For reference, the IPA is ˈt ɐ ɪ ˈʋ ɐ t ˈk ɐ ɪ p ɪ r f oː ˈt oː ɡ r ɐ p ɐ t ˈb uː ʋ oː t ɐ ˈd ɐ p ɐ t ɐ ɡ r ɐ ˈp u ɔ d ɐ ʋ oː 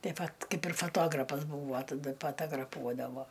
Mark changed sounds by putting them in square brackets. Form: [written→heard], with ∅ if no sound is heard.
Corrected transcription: ˈt ɐ ɪ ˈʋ ɐ t ˈk ɐ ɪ p ɪ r f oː ˈt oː ɡ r ɐ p ɐ [t→s] ˈb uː ʋ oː t ɐ ˈd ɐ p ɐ t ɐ ɡ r ɐ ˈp u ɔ d ɐ ʋ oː